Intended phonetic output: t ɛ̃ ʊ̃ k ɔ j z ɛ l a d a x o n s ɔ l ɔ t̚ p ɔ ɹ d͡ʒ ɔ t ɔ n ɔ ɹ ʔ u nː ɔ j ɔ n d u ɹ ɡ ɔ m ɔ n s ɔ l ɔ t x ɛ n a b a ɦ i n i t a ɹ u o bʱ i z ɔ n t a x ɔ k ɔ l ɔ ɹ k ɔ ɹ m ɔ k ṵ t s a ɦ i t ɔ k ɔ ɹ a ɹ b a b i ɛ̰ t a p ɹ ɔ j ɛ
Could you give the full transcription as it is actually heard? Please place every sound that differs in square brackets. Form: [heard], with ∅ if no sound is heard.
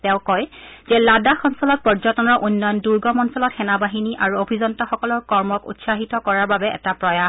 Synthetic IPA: t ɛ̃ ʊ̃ k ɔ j z ɛ l a d a x [ɔ] n s ɔ l ɔ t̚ p ɔ ɹ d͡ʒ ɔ t ɔ n ɔ ɹ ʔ u nː ɔ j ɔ n d u ɹ ɡ ɔ m ɔ n s ɔ l ɔ t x ɛ n a b a ɦ i n i [ʔ] a ɹ u o bʱ i z ɔ n t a x ɔ k ɔ l ɔ ɹ k ɔ ɹ m ɔ k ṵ t s a ɦ i t ɔ k ɔ ɹ a ɹ b a b [ɛ] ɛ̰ t a p ɹ ɔ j [a]